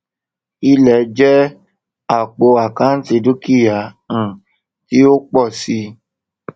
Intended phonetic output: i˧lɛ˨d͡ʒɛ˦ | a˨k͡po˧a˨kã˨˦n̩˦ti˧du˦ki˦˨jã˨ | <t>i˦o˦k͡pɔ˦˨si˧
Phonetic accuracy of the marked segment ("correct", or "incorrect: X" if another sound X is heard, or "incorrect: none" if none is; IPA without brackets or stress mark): correct